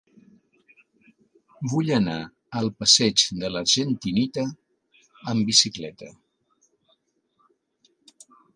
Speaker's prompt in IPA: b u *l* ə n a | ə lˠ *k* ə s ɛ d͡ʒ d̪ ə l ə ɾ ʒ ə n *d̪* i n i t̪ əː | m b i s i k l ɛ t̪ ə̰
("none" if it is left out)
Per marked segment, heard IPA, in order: ʎ, p, t̪

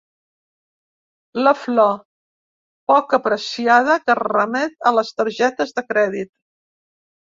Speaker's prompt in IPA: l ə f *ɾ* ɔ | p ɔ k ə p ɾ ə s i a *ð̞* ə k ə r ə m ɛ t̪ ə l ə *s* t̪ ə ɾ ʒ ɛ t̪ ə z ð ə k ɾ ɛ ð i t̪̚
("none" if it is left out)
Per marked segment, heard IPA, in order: l, ð̞, s

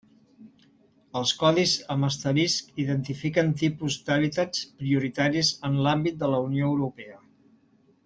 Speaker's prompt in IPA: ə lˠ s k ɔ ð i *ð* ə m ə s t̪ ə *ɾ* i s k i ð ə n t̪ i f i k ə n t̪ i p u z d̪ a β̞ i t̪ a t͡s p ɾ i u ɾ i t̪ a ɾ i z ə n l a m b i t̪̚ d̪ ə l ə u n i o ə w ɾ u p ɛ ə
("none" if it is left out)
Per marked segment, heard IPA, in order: z, ɾ

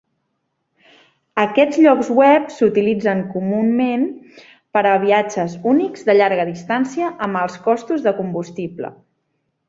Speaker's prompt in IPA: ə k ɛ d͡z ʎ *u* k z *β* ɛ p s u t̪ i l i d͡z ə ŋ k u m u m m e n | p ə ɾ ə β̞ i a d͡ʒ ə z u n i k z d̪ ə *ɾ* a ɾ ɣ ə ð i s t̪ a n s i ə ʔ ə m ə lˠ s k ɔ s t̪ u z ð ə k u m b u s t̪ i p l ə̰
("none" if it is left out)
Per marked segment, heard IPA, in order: ɔ, w, ʎ

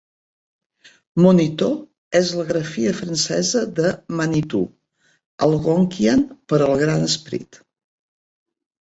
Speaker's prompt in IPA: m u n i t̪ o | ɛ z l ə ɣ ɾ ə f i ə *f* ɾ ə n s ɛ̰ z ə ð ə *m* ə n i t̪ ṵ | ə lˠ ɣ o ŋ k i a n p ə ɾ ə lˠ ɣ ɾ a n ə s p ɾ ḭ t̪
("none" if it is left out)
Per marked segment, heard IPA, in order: f, m

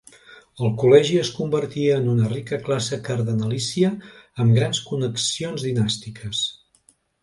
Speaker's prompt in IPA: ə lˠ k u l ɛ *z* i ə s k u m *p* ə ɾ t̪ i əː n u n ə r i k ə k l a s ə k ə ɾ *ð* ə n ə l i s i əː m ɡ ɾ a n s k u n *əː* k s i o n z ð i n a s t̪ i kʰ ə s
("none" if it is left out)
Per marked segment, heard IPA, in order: ʒ, b, ð, ə

